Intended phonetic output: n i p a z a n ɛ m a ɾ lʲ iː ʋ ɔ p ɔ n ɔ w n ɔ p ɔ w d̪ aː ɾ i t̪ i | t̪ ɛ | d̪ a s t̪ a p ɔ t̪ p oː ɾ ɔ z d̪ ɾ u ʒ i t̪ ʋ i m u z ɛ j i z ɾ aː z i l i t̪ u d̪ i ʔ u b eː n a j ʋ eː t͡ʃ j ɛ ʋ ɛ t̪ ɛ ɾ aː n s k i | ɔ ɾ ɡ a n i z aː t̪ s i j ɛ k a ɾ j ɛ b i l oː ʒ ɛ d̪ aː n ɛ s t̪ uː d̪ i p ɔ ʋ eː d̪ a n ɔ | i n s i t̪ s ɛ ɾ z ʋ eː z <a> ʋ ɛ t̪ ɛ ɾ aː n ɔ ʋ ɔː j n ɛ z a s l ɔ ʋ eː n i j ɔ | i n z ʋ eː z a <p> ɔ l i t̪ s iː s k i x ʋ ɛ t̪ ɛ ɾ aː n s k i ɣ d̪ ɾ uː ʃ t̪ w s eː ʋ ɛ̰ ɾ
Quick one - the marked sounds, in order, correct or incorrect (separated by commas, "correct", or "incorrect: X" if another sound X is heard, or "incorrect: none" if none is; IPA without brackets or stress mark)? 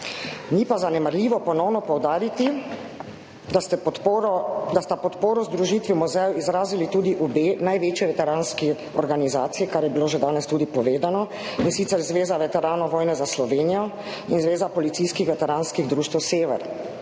correct, correct